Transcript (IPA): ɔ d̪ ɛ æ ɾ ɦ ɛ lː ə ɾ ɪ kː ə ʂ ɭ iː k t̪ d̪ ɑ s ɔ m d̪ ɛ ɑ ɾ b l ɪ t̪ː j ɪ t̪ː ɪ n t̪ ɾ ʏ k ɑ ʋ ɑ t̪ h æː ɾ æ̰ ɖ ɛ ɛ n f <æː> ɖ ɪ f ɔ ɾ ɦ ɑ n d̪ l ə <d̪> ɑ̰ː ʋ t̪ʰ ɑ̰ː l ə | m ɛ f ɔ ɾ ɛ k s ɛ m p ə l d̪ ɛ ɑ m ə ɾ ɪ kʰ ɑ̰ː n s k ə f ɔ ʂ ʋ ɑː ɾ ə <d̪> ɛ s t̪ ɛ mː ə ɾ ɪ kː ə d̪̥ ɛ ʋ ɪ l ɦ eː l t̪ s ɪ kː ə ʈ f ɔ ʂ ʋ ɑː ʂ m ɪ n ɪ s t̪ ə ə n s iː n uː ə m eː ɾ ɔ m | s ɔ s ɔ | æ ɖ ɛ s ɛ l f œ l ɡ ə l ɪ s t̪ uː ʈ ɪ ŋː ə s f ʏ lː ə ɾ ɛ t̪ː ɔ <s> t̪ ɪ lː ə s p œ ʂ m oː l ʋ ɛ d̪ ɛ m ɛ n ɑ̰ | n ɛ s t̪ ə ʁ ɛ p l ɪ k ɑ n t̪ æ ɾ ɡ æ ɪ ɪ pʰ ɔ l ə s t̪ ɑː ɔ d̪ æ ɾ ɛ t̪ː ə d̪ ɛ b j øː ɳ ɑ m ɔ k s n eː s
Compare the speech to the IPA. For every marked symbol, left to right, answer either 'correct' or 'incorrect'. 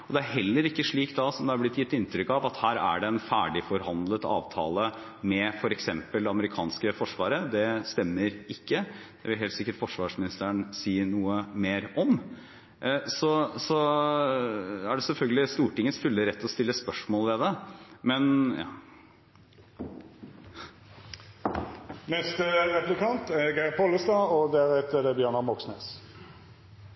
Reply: correct, incorrect: t̪, correct, correct

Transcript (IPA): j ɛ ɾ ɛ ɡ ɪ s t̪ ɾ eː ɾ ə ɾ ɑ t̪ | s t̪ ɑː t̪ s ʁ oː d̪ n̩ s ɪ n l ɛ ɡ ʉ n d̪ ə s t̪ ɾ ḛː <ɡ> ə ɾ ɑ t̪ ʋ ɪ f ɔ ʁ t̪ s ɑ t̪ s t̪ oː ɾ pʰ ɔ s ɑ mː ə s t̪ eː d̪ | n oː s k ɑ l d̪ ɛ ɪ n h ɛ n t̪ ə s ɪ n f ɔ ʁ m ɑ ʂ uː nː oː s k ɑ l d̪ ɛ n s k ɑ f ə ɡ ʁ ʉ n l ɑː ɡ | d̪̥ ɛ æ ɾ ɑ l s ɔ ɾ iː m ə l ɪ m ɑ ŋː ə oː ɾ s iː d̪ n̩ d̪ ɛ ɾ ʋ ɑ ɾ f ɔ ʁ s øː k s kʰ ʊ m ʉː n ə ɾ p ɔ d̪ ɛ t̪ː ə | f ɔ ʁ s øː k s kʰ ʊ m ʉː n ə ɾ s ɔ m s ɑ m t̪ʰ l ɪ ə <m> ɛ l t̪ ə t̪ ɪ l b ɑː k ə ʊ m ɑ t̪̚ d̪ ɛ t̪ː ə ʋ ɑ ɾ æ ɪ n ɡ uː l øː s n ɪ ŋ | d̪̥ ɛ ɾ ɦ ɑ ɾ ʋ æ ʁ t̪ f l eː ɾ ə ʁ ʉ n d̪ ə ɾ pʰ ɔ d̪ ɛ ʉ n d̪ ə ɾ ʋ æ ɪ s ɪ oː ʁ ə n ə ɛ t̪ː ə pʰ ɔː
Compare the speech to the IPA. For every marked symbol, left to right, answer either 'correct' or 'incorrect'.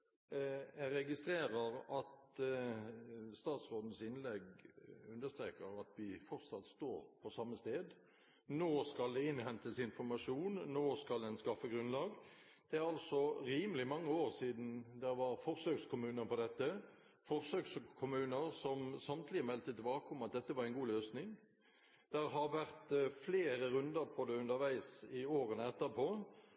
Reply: incorrect: k, correct

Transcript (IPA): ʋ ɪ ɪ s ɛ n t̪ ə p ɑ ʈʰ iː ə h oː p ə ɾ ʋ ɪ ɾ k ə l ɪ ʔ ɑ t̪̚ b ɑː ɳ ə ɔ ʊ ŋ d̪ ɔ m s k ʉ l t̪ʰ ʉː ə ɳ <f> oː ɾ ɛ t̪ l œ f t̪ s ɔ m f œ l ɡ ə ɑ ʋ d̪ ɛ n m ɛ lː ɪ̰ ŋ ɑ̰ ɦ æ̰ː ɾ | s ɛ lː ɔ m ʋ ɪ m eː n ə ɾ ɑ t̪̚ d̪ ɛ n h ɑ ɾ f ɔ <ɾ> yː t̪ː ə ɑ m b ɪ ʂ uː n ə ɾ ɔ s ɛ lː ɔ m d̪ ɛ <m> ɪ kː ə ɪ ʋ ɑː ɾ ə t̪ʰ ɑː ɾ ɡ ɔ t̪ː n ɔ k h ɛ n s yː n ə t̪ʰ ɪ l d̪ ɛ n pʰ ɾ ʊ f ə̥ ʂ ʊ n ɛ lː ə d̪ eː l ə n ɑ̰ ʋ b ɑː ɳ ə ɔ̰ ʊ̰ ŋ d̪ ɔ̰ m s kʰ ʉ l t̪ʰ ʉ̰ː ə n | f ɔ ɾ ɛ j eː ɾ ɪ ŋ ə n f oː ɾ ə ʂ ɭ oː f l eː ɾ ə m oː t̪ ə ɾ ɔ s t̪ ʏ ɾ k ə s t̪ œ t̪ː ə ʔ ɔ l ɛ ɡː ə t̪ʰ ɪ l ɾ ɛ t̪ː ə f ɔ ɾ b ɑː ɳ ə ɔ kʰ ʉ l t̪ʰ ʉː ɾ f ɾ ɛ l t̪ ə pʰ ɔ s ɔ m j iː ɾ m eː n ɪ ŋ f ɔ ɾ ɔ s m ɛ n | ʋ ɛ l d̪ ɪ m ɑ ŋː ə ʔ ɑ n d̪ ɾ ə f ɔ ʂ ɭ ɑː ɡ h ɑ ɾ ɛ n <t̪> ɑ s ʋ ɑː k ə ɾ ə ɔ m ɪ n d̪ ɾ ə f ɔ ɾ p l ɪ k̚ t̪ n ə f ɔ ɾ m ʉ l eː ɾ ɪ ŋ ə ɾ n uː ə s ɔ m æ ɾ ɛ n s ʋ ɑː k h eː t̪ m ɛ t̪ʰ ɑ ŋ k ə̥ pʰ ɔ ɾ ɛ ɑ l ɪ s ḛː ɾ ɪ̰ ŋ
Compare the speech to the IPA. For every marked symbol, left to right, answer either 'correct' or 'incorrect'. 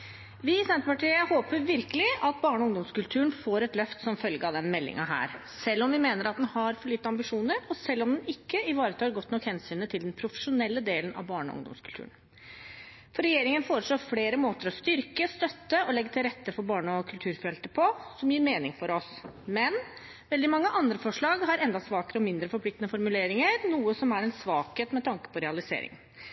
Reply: correct, incorrect: ɭ, incorrect: n, incorrect: d̪

